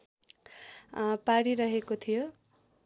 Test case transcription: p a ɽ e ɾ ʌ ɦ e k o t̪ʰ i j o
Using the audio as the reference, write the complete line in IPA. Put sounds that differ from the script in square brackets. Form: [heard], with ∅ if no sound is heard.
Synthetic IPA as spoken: p a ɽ [i] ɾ ʌ ɦ e k o t̪ʰ i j o